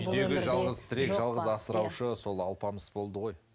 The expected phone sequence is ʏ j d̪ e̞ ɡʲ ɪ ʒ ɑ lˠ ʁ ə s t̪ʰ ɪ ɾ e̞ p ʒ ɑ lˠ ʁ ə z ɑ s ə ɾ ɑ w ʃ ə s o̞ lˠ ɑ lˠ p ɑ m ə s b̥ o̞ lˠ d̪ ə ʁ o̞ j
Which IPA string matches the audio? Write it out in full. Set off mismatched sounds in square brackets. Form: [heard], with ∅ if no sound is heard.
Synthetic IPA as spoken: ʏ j d̪ e̞ ɡʲ ɪ ʒ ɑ lˠ ʁ ə [z] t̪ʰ ɪ ɾ e̞ [k] ʒ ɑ lˠ ʁ ə z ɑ s ə ɾ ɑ w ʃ ə s o̞ lˠ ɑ lˠ p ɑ m ə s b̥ o̞ lˠ d̪ ə ʁ o̞ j